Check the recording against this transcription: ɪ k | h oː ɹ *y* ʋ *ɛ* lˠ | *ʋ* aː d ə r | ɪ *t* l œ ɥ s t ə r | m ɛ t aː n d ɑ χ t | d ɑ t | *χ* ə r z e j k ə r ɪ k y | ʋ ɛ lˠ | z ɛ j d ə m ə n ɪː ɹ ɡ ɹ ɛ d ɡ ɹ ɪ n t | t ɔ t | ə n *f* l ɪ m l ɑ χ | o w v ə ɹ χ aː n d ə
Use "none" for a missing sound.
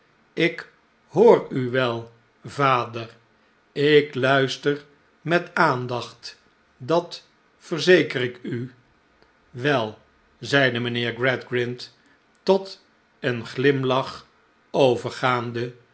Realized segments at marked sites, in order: y, ɛ, v, k, f, χ

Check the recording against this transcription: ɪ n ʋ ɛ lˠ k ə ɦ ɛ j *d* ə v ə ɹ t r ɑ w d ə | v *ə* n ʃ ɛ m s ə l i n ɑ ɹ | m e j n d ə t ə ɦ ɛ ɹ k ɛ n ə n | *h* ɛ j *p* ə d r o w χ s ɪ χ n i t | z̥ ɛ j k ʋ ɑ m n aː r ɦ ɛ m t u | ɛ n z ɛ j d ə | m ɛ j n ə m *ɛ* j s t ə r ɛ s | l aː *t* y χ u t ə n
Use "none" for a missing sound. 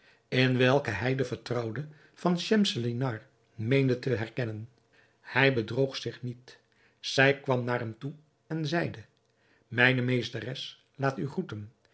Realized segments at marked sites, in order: d, ɑ, h, b, e, t

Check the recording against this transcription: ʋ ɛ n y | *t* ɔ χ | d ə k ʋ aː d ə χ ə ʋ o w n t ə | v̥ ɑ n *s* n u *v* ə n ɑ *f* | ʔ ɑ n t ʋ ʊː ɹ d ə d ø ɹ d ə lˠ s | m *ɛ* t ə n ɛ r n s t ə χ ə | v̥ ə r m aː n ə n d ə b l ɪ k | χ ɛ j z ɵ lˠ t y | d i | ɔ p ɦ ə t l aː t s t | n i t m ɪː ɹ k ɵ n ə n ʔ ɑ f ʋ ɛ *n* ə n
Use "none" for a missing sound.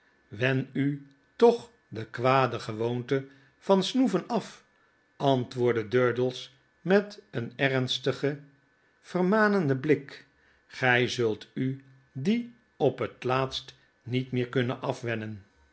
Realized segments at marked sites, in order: t, s, v, f, ɛ, n

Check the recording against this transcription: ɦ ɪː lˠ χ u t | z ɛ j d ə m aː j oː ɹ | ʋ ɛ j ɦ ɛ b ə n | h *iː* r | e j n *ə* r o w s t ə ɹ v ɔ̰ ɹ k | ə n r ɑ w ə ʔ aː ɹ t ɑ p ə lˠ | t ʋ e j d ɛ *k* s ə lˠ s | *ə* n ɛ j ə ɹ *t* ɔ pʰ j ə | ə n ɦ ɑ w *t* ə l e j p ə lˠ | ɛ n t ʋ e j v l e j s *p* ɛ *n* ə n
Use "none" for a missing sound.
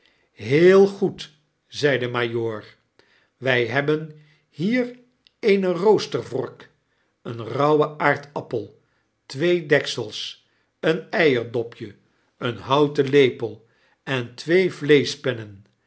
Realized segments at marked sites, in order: iː, ə, k, ə, d, t, p, n

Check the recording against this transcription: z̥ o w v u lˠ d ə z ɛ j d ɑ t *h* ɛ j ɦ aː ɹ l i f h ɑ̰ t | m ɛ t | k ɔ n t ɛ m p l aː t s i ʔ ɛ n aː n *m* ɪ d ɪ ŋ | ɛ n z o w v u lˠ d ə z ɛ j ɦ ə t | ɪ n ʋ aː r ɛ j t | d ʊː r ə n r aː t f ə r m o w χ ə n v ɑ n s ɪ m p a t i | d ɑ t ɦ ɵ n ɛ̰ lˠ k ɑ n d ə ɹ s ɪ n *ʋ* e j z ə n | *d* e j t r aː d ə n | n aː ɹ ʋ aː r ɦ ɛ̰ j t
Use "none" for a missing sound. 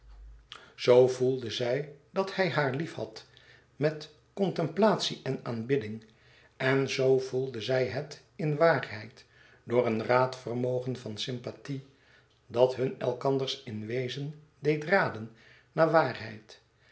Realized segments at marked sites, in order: h, b, ʋ, d

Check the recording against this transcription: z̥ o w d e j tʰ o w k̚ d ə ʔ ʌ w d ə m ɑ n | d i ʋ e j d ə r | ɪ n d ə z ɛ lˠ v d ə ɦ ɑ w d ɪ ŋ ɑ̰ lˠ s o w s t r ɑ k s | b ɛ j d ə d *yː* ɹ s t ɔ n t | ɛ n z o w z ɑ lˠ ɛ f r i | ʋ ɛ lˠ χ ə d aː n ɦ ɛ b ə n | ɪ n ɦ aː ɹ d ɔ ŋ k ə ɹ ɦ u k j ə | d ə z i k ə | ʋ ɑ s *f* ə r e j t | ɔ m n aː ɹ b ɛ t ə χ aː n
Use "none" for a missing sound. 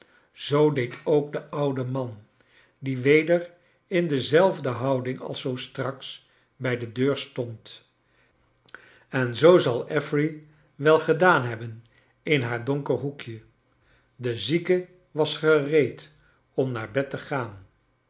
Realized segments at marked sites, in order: øː, χ

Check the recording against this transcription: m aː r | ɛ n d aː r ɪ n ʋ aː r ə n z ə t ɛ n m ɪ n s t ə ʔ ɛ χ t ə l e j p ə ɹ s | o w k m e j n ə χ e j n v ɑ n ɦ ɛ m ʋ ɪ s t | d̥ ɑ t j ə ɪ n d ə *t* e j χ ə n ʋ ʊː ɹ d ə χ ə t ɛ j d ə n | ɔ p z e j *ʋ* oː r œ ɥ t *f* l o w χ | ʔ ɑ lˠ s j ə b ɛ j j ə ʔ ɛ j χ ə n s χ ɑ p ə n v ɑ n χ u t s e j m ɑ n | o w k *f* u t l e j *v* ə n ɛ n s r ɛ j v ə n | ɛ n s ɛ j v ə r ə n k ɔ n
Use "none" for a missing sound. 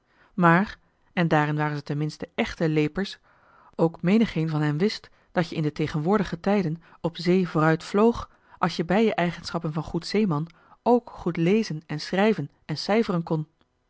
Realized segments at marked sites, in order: t, v, f, χ, z

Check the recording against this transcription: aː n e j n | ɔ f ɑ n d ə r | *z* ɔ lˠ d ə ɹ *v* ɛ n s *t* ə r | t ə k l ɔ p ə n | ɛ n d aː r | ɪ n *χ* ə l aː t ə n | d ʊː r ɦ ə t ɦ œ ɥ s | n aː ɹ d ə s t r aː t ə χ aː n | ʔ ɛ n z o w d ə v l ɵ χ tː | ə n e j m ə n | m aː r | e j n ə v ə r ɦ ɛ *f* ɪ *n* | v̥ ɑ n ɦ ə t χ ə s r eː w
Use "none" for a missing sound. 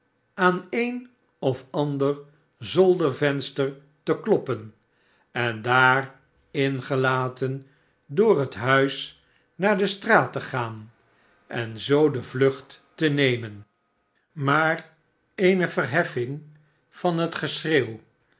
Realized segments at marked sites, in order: z, v, t, χ, f, ŋ

